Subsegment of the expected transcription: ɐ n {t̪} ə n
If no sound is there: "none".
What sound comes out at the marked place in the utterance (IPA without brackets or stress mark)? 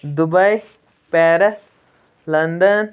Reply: d̪